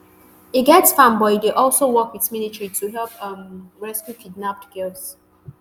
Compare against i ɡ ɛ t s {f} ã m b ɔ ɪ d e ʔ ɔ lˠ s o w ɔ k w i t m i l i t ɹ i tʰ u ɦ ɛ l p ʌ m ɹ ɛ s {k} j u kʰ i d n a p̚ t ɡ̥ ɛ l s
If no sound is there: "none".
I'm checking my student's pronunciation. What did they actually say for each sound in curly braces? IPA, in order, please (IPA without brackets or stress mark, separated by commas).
f, k